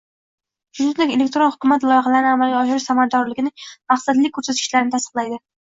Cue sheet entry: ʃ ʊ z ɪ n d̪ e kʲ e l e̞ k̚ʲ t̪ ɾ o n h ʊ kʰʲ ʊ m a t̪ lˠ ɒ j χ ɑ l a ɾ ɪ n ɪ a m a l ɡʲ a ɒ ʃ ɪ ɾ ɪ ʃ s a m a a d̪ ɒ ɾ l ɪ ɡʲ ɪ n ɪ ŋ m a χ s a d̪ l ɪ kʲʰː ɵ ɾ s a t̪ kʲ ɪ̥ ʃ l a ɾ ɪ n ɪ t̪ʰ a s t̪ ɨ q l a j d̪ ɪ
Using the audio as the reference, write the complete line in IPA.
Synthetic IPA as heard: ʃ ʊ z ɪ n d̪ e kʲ e l e̞ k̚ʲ t̪ ɾ o n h ʊ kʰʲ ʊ m a t̪ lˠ ɒ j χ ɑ l a ɾ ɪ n ɪ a m a l ɡʲ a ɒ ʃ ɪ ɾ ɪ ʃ s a m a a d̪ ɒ ɾ l ɪ ɡʲ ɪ n ɪ ŋ m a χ s a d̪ l ɪ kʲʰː ɵ ɾ s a t̪ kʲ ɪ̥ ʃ l a ɾ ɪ n ɪ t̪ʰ a s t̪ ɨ q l a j d̪ ɪ